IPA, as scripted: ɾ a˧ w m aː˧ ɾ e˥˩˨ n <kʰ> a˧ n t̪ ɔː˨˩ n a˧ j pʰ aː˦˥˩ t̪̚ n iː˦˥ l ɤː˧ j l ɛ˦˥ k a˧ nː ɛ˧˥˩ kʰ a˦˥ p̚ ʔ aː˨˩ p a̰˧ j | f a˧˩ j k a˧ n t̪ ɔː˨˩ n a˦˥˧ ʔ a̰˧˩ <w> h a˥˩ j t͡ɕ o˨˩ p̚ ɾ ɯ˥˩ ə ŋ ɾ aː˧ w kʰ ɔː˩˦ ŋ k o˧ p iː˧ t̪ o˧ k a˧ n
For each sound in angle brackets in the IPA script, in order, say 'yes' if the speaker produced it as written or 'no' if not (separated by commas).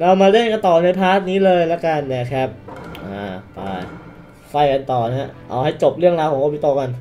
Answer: no, yes